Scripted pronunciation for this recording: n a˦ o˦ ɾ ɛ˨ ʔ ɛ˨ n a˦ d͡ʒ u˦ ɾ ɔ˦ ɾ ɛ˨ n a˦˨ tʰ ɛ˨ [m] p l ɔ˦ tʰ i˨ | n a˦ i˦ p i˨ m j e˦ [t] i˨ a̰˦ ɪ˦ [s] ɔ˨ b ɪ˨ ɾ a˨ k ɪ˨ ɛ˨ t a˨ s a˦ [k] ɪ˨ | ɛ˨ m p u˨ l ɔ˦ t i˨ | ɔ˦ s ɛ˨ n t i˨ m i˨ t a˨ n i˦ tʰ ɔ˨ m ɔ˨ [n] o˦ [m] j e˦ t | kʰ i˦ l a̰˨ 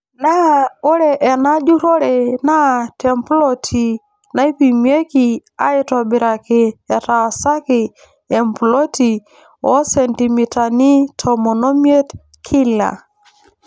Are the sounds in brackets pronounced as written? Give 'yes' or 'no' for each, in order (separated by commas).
yes, no, no, yes, yes, yes